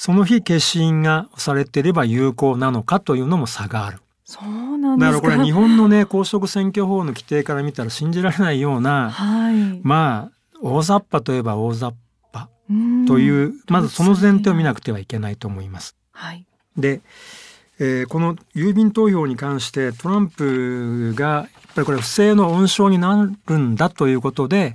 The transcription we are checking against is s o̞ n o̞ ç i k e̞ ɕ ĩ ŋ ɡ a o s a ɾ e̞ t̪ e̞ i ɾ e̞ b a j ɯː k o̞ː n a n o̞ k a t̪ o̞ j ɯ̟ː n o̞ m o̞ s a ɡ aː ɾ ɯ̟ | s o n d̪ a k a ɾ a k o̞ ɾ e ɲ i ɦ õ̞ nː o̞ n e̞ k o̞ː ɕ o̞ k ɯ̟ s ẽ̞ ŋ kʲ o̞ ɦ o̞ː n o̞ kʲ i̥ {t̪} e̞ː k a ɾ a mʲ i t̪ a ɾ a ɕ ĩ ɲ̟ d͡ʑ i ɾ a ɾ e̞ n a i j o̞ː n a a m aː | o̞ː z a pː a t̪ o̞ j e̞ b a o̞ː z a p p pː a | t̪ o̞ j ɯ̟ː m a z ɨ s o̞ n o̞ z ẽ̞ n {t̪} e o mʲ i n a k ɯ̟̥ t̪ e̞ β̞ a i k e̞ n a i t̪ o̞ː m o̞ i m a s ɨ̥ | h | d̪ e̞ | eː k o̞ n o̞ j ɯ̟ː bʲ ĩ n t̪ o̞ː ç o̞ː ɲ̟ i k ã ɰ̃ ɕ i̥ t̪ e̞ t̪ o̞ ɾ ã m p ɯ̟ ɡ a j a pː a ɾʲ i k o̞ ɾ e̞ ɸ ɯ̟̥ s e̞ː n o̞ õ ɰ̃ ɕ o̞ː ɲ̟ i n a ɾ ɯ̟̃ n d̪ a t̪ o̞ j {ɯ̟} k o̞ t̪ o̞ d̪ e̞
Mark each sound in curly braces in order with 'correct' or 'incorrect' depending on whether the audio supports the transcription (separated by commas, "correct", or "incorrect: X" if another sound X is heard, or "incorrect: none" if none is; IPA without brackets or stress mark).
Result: correct, correct, incorrect: ɯ̟ː